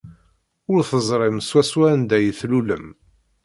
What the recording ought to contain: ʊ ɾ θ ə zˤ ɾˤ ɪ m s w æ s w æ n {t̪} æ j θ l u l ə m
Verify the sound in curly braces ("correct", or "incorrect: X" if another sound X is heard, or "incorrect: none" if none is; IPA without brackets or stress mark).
incorrect: d̪